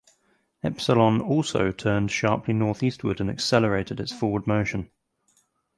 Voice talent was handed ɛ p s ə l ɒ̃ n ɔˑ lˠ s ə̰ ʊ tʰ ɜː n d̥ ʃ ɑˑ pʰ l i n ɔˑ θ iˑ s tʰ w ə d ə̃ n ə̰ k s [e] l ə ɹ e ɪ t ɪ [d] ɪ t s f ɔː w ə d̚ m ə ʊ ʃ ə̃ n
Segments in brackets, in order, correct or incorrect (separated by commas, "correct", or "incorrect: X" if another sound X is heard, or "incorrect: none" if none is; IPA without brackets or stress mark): incorrect: ɛ, correct